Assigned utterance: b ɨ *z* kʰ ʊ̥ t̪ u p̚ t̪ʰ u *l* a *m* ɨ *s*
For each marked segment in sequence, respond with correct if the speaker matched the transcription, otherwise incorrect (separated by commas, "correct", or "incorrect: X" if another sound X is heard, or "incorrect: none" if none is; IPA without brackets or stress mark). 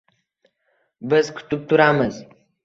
correct, incorrect: ɾ, correct, incorrect: z